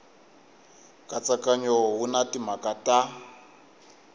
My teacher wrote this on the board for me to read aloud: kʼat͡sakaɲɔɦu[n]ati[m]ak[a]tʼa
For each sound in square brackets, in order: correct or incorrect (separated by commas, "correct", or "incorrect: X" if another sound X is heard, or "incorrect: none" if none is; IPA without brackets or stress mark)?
correct, correct, correct